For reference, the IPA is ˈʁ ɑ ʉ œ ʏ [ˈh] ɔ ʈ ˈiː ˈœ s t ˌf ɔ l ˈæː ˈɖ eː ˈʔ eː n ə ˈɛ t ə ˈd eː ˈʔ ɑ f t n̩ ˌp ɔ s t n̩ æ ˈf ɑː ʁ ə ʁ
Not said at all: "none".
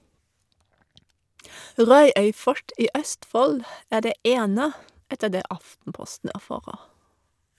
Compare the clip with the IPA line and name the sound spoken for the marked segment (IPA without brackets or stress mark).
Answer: f